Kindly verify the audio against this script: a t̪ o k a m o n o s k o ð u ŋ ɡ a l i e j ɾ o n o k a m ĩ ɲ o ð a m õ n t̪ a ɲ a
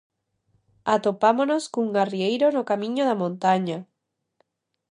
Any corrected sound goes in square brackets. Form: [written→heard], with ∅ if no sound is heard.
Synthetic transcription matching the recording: a t̪ o [k→p] a m o n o s k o [ð→∅] u ŋ ɡ a [l→r] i e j ɾ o n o k a m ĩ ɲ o ð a m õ n t̪ a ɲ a